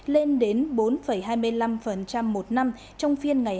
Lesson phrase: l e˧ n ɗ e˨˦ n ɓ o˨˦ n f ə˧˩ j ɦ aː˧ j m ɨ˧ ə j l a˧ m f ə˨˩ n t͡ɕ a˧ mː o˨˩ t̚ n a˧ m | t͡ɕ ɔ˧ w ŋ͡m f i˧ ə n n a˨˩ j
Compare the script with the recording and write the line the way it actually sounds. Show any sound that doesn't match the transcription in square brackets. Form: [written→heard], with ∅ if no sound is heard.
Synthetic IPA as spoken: l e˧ n ɗ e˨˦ n ɓ o˨˦ n f ə˧˩ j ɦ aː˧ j m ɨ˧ ə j l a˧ m f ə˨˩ n t͡ɕ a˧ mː o˨˩ t̚ n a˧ m | t͡ɕ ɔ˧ w ŋ͡m f i˧ ə n [n→ŋ] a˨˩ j

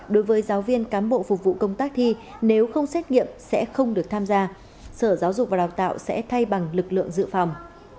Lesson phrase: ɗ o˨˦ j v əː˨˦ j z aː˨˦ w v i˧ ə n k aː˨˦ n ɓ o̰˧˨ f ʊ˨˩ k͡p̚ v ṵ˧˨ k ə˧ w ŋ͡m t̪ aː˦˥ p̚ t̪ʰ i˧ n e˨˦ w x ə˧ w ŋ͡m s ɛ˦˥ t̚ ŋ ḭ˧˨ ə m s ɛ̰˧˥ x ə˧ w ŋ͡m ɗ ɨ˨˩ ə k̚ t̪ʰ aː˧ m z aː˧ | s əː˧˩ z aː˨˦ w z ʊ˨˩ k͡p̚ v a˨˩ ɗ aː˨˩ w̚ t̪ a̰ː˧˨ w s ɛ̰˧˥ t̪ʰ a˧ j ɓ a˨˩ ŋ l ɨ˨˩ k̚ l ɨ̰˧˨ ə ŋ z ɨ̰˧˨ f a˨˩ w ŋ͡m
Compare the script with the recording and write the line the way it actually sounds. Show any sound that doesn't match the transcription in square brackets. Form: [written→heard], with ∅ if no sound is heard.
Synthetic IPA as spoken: ɗ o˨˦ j v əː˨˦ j z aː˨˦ w v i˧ ə n k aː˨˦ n ɓ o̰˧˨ f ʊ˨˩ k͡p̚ v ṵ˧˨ k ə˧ w ŋ͡m t̪ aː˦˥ [p̚→k̚] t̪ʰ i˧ n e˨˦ w x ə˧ w ŋ͡m s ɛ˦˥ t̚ ŋ ḭ˧˨ ə m s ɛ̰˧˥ x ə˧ w ŋ͡m ɗ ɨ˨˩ ə k̚ t̪ʰ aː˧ m z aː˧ | s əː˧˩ z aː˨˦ w z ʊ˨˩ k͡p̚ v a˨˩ ɗ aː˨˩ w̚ t̪ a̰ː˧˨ w s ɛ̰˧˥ t̪ʰ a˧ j ɓ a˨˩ ŋ l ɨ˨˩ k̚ l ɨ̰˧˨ ə ŋ z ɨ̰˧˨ f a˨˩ w ŋ͡m

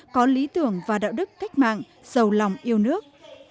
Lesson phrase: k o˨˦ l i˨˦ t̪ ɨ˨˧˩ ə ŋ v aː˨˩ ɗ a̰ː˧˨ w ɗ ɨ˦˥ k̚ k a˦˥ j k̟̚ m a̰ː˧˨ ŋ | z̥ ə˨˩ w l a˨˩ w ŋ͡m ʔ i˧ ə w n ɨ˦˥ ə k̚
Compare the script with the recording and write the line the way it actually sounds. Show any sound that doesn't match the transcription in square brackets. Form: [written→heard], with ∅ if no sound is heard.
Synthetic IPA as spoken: k [o˨˦→ɔ˨˦] l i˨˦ t̪ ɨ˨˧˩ ə ŋ v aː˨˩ ɗ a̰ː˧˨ w ɗ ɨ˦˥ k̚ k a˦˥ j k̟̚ m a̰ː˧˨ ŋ | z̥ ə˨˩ w l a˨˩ w ŋ͡m ʔ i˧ ə w n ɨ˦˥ ə k̚

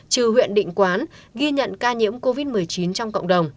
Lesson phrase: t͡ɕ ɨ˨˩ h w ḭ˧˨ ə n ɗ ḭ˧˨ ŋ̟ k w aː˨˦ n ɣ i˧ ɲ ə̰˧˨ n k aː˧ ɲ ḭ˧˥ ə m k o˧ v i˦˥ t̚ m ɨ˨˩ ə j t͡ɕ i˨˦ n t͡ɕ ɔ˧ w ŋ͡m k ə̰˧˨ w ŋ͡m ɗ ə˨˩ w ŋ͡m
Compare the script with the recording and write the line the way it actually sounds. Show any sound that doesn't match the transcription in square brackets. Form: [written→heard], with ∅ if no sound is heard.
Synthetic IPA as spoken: t͡ɕ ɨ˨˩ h w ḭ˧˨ ə n ɗ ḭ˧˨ ŋ̟ k w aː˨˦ n ɣ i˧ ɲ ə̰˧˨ n k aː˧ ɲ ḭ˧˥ ə m k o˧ v i˦˥ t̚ m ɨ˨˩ ə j t͡ɕ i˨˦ n t͡ɕ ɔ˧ w ŋ͡m k ə̰˧˨ w ŋ͡m ɗ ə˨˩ w ŋ͡m

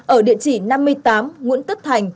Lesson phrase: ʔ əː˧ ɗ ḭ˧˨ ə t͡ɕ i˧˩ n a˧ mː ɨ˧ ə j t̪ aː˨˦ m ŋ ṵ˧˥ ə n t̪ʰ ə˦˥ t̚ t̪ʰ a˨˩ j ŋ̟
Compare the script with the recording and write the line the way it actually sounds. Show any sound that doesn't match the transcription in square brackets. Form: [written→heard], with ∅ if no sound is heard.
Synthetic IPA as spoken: ʔ [əː˧→əː˧˩] ɗ ḭ˧˨ ə t͡ɕ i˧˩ n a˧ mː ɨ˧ ə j t̪ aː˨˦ m ŋ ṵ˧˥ ə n [t̪ʰ→t̪] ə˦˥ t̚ t̪ʰ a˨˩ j ŋ̟

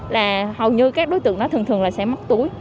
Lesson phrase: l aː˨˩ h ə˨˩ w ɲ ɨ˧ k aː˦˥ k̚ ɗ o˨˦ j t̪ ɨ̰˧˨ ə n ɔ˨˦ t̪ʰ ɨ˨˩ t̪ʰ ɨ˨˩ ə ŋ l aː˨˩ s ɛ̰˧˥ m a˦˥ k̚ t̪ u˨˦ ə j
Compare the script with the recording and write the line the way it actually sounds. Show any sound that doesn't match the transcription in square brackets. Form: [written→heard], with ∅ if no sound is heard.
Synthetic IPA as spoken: l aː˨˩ h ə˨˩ w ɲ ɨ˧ k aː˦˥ k̚ ɗ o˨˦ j t̪ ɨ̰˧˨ ə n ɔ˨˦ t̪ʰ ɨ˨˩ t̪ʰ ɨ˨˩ ə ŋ l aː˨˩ s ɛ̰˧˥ m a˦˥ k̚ t̪ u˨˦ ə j

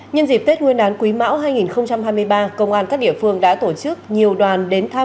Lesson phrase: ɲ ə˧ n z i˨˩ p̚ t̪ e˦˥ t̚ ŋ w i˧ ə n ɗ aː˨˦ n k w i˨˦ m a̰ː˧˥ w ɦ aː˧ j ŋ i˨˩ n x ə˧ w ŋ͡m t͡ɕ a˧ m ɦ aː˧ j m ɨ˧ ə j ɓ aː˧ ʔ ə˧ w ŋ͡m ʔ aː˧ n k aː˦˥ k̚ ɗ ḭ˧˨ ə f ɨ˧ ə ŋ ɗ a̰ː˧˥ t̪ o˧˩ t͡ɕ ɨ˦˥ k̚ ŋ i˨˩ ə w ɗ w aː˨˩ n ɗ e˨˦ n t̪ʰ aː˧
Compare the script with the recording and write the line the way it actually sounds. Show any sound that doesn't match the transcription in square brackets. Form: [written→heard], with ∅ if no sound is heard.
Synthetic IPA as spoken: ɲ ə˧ n z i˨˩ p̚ t̪ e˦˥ t̚ ŋ w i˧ ə n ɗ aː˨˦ n k w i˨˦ m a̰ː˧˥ w ɦ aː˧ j ŋ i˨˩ n x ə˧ w ŋ͡m t͡ɕ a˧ m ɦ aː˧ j m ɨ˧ ə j ɓ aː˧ [ʔ→k] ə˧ w ŋ͡m ʔ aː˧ n k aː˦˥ k̚ ɗ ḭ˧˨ ə f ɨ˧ ə ŋ ɗ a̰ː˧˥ t̪ o˧˩ t͡ɕ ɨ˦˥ k̚ [ŋ→ɲ] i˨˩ ə w ɗ w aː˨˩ n ɗ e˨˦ n t̪ʰ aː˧

